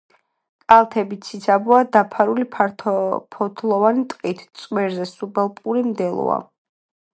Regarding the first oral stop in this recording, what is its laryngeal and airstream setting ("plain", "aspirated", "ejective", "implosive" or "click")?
ejective